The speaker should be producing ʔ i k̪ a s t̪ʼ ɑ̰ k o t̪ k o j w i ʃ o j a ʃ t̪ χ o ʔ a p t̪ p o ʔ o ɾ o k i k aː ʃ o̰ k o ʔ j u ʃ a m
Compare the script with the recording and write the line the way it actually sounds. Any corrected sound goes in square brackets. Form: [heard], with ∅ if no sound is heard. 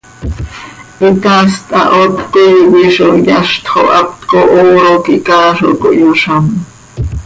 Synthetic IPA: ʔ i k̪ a s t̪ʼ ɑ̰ [ʔ] o t̪ k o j w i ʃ o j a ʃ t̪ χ o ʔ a p t̪ [k] o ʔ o ɾ o k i k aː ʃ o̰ k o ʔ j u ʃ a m